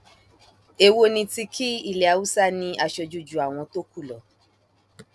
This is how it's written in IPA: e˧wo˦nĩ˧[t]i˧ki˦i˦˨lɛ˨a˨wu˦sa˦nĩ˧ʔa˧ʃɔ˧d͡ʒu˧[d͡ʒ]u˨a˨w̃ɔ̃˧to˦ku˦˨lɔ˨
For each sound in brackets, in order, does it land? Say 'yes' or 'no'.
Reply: yes, yes

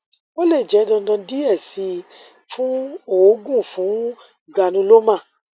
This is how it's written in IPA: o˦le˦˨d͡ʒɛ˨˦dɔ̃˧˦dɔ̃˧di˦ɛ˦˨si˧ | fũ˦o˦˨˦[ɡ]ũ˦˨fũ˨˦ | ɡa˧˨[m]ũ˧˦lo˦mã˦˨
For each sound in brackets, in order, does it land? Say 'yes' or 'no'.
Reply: yes, no

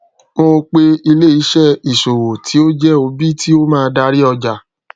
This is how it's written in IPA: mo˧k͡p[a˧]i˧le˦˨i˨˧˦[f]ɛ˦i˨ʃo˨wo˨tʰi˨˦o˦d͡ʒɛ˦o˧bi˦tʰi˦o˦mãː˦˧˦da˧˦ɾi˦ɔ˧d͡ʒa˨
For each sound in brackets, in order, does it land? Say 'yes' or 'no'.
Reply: no, no

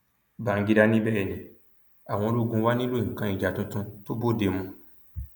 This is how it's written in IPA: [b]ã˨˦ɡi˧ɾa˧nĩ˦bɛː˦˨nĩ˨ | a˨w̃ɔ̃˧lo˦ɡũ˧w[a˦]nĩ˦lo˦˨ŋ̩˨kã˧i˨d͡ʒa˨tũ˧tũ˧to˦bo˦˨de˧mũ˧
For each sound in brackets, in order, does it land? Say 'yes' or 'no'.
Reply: yes, yes

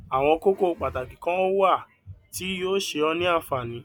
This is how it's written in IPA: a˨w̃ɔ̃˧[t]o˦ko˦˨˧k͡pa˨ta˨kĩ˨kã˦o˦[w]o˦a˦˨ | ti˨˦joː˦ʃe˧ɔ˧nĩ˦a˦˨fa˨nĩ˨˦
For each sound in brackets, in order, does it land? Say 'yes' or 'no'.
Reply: no, yes

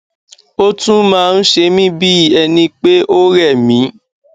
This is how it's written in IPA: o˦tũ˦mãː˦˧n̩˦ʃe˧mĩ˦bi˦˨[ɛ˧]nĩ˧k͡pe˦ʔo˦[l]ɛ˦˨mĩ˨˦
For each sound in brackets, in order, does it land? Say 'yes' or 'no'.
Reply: yes, no

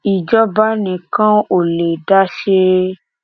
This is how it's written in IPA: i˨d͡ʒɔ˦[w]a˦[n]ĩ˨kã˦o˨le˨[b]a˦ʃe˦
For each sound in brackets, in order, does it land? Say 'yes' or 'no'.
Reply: no, yes, no

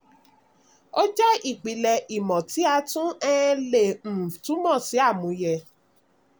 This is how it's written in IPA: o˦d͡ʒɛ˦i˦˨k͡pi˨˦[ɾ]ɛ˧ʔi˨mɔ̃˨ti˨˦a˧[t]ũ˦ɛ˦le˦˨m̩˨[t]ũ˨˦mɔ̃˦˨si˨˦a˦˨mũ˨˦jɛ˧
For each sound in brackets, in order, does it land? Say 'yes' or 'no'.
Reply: no, yes, yes

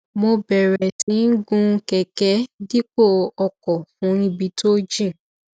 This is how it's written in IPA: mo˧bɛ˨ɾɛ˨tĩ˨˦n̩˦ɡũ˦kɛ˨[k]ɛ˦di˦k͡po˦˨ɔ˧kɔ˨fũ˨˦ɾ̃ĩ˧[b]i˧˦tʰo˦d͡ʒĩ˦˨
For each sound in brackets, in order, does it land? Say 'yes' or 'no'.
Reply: yes, yes

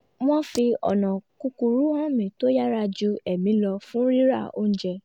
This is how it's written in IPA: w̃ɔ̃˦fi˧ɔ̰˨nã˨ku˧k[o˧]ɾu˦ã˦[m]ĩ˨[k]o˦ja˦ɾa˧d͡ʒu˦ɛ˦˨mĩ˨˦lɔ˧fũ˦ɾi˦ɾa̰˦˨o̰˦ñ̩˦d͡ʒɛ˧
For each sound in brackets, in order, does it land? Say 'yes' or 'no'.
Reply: no, yes, no

